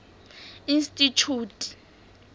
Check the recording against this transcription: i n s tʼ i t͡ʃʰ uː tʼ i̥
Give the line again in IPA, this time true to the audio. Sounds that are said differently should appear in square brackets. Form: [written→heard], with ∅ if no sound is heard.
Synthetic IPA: i n s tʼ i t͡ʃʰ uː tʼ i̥